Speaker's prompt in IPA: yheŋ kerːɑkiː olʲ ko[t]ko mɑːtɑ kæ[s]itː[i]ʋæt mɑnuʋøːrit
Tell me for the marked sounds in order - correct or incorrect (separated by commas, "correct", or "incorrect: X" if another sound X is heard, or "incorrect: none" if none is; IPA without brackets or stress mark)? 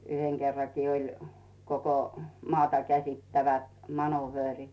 incorrect: none, correct, incorrect: æ